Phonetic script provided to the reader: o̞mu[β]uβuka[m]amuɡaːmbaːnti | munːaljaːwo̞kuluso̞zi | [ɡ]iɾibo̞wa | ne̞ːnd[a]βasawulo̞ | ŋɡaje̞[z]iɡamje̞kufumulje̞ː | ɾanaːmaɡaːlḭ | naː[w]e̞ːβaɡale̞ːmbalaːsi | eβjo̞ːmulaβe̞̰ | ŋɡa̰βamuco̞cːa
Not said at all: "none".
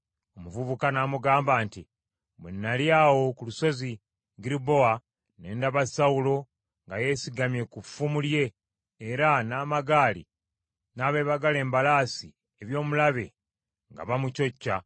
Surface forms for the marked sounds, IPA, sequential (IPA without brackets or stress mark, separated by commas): v, n, ɡ, a, s, β